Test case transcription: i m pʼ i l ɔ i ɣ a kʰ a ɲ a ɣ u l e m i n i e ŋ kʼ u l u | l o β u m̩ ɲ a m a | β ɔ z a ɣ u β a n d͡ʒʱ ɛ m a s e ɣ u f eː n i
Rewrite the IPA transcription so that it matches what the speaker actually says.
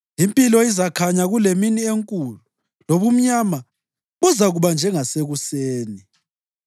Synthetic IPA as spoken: i m pʼ i l ɔ i z a kʰ a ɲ a ɣ u l e m i n i e ŋ kʼ u l u | l o β u m̩ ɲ a m a | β ɔ z a ɣ u β a n d͡ʒʱ ɛ ŋ a s e ɣ u s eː n i